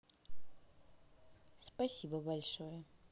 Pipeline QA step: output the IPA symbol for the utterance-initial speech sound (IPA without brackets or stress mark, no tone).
s